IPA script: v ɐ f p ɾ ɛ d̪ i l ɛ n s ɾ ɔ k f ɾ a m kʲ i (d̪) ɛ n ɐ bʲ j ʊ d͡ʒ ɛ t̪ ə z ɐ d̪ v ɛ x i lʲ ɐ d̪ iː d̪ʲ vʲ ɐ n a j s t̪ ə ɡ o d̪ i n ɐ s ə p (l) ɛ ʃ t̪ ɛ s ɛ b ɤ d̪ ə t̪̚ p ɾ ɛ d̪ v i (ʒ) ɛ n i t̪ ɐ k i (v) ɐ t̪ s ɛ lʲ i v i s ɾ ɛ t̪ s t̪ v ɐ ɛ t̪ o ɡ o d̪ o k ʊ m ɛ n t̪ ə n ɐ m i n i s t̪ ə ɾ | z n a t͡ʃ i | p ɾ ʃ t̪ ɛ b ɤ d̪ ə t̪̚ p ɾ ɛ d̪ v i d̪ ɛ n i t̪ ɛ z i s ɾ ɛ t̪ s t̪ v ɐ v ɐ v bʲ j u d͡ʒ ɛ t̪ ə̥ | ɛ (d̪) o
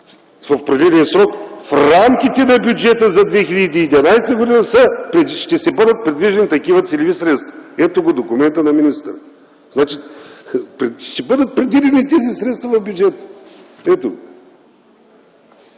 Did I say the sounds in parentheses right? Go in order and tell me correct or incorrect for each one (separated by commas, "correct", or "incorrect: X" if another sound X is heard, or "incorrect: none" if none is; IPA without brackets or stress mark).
incorrect: t̪, incorrect: ɾ, correct, correct, incorrect: t̪